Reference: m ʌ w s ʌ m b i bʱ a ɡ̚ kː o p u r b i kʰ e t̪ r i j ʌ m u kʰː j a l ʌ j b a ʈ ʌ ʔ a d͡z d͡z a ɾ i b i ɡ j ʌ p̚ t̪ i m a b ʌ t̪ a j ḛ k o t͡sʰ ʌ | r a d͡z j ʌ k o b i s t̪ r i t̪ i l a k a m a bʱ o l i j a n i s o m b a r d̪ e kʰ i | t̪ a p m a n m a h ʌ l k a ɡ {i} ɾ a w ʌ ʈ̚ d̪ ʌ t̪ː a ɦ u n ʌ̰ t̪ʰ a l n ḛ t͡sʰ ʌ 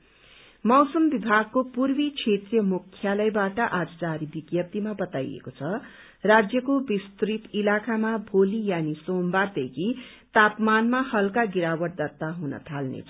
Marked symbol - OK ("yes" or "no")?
yes